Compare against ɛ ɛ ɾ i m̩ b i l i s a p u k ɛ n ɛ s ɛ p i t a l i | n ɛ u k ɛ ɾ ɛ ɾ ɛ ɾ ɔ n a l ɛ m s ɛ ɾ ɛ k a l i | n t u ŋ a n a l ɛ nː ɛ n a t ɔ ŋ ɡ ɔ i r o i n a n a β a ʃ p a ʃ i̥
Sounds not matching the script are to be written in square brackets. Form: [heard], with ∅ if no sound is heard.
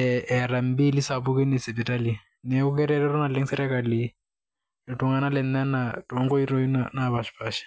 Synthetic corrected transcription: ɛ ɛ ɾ [a] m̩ b i l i s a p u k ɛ n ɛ s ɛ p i t a l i | n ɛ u k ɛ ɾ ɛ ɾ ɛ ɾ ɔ n a l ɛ [ŋ] s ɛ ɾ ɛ k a l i | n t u ŋ a n a l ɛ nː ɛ n a t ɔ ŋ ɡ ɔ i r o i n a n a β a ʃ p a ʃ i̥